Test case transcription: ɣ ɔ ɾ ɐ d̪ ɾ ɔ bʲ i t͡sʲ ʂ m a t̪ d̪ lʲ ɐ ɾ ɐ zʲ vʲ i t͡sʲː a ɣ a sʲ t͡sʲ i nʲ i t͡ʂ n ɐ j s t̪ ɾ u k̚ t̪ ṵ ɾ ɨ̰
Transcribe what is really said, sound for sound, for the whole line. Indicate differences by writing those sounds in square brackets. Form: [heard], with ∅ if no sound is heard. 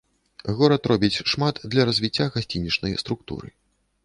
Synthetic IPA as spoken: ɣ ɔ ɾ ɐ [t̪] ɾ ɔ bʲ i t͡sʲ ʂ m a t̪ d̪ lʲ ɐ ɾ ɐ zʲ vʲ i t͡sʲː a ɣ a sʲ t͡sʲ i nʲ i t͡ʂ n ɐ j s t̪ ɾ u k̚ t̪ ṵ ɾ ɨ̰